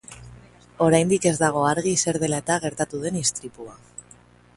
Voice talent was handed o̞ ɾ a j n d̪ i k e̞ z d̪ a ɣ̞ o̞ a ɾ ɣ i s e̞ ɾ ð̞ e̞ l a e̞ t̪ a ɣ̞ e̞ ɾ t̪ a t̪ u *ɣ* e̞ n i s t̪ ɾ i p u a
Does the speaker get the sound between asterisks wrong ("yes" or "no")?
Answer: yes